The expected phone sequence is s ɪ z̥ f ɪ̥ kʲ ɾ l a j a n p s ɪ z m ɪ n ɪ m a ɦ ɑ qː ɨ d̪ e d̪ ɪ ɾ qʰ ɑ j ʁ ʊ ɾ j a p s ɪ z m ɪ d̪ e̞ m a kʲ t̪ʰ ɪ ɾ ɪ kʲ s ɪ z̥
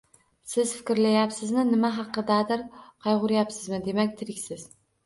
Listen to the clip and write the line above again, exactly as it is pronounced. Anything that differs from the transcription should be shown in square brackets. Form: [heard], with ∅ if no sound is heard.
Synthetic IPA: s ɪ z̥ f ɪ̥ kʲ ɾ l a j a [∅] p s ɪ z m ɪ n ɪ m a ɦ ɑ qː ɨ d̪ [a] d̪ ɪ ɾ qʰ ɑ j ʁ ʊ ɾ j a p s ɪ z m ɪ d̪ e̞ m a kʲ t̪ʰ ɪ ɾ ɪ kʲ s ɪ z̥